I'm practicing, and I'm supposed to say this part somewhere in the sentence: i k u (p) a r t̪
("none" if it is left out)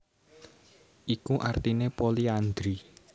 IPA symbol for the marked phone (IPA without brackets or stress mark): ʔ